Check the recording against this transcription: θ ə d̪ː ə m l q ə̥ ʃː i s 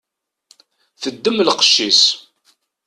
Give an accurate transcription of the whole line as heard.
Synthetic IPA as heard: θ ə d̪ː ə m l q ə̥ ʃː i s